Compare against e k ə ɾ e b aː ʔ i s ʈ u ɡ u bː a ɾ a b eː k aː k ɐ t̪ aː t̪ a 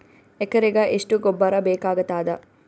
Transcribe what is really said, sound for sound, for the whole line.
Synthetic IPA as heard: e k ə ɾ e ɡ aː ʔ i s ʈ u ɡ o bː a ɾ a b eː k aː ɡ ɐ t̪ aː d̪ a

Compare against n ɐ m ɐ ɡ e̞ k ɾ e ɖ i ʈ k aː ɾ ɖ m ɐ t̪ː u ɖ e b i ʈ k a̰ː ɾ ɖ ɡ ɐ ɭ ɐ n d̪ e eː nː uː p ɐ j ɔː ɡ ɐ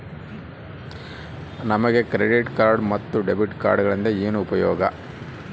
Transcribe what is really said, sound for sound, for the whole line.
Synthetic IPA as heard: n ɐ m ɐ ɡ e̞ k ɾ e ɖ i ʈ k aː ɾ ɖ m ɐ t̪ː u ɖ e b i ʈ k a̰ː ɾ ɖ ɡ ɐ ɭ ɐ n d̪ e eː n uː p ɐ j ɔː ɡ ɐ

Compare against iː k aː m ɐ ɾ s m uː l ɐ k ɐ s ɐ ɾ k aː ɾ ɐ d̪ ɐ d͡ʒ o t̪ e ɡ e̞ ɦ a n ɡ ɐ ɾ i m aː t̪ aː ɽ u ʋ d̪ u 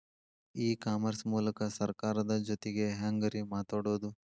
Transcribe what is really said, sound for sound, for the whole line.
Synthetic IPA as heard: iː k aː m ɐ ɾ s m uː l ɐ k ɐ s ɐ ɾ k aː ɾ ɐ d̪ ɐ d͡ʒ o t̪ e ɡ e̞ ɦ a ŋ ɡ ɐ ɾ i m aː t̪ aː ɽ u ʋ d̪ u

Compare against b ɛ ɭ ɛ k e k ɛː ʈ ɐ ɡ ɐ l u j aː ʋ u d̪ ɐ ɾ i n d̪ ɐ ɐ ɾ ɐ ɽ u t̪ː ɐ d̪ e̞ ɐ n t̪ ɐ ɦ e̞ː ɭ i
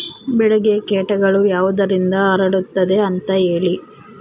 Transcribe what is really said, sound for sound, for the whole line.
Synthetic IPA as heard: b ɛ ɭ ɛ ɡ e k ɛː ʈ ɐ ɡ ɐ ɭ u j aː ʋ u d̪ ɐ ɾ i n d̪ ɐ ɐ ɾ ɐ ɽ u t̪ː ɐ d̪ e̞ ɐ n t̪ ɐ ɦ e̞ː ɭ i

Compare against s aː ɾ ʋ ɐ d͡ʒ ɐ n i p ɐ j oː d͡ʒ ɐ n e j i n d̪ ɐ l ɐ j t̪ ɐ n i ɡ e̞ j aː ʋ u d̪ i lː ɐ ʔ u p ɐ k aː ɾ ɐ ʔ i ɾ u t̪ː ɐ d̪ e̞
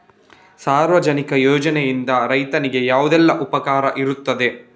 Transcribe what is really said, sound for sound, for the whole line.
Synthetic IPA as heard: s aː ɾ ʋ ɐ d͡ʒ ɐ n i k ɐ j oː d͡ʒ ɐ n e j i n d̪ ɐ ɾ ɐ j t̪ ɐ n i ɡ e̞ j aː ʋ u d̪ ɛ lː ɐ ʔ u p ɐ k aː ɾ ɐ ʔ i ɾ u t̪ː ɐ d̪ e̞

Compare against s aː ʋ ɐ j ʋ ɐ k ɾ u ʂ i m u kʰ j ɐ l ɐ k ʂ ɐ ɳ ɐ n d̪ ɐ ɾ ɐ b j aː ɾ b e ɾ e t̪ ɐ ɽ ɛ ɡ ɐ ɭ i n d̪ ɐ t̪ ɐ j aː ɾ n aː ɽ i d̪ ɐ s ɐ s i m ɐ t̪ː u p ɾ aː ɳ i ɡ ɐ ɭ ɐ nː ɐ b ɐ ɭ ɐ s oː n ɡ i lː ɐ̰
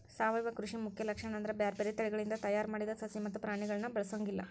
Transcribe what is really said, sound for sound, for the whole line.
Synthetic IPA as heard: s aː ʋ ɐ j ʋ ɐ k ɾ u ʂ i m u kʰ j ɐ l ɐ k ʂ ɐ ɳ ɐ n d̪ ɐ ɾ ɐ b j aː ɾ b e ɾ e t̪ ɐ ɭ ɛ ɡ ɐ ɭ i n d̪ ɐ t̪ ɐ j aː ɾ m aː ɽ i d̪ ɐ s ɐ s i m ɐ t̪ː u p ɾ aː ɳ i ɡ ɐ ɭ ɐ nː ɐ b ɐ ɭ ɐ s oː ŋ ɡ i lː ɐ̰

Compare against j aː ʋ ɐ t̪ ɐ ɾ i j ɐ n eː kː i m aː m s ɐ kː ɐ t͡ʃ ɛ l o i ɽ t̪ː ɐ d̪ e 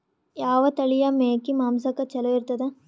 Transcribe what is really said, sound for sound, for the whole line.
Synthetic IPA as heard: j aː ʋ ɐ t̪ ɐ ɭ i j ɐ m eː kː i m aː m s ɐ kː ɐ t͡ʃ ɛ l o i ɾ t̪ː ɐ d̪ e

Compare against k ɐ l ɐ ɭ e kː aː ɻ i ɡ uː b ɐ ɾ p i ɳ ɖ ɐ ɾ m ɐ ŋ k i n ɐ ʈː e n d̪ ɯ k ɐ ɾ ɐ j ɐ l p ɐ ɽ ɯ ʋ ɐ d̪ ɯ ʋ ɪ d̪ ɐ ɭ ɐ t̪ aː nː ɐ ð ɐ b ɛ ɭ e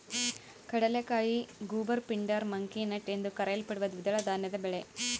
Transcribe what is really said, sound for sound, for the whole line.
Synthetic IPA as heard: k ɐ ɽ ɐ l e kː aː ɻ i ɡ uː b ɐ ɾ p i ɳ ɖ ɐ ɾ m ɐ ŋ k i n ɐ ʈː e n d̪ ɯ k ɐ ɾ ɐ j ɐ l p ɐ ɽ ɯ ʋ ɐ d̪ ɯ ʋ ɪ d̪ ɐ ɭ ɐ d̪ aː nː ɐ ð ɐ b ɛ ɭ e

